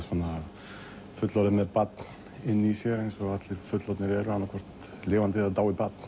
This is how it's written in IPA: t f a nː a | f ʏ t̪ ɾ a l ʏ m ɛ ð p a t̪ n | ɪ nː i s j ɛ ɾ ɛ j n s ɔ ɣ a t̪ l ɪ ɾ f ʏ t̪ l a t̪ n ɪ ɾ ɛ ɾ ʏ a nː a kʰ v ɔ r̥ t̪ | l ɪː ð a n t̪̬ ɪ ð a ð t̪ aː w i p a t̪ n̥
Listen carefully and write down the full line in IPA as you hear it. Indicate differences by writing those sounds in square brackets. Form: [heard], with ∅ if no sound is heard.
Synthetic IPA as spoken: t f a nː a | f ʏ t̪ [l] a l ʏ m ɛ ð p a t̪ n | ɪ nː i s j ɛ ɾ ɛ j n s ɔ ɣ a t̪ l ɪ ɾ f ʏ t̪ l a t̪ n ɪ ɾ ɛ ɾ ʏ a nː a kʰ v ɔ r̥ t̪ | l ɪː [v] a n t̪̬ ɪ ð a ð t̪ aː w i p a t̪ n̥